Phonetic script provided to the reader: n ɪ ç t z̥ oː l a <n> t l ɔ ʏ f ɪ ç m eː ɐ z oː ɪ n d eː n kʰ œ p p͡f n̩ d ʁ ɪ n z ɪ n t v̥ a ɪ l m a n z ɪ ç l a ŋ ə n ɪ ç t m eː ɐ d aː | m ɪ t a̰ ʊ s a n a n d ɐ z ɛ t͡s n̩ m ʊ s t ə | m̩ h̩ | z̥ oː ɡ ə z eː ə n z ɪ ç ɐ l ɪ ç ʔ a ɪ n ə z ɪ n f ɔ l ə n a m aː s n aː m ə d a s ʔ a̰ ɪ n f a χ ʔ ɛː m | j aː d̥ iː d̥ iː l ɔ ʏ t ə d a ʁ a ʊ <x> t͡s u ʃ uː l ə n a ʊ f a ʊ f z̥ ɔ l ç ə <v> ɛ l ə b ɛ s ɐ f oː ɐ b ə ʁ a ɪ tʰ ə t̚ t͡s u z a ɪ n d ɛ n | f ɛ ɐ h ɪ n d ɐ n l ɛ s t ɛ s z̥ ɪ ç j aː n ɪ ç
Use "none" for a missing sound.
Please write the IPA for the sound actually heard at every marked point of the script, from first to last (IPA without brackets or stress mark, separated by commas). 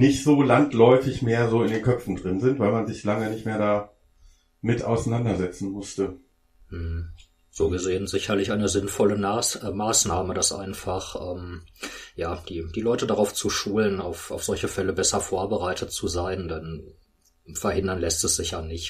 n, f, f